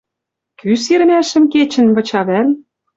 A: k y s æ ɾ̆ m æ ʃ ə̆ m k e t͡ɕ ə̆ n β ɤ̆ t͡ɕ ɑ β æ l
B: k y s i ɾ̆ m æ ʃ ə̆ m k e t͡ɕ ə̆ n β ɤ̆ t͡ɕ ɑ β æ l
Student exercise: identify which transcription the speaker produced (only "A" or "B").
B